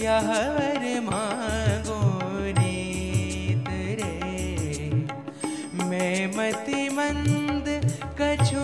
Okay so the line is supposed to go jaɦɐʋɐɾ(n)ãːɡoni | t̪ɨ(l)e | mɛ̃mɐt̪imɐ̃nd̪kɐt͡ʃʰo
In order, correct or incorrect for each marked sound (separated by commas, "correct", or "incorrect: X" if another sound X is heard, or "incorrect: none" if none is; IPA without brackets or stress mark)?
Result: incorrect: m, incorrect: ɾ